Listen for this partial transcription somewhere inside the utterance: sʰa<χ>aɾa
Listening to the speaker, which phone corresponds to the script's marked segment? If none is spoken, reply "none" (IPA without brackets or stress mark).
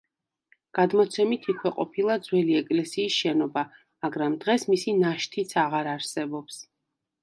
ʁ